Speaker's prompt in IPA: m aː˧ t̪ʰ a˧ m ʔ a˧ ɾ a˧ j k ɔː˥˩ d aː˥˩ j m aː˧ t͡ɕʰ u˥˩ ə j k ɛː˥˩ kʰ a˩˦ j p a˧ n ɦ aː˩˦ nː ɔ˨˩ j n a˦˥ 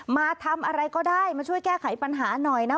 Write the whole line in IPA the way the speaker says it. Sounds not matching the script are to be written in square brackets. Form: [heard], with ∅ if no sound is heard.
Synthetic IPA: m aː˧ t̪ʰ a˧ m ʔ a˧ ɾ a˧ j k ɔː˥˩ d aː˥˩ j m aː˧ t͡ɕʰ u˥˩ ə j k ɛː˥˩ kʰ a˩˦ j p a˧ n ɦ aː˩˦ [n] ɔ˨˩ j n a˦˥